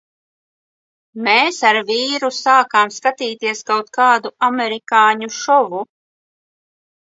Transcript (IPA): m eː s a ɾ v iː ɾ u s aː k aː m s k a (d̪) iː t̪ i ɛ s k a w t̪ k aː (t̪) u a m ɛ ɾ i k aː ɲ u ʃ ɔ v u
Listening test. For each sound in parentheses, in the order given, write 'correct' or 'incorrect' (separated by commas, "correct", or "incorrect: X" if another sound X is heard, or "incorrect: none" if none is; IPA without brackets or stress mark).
incorrect: t̪, incorrect: d̪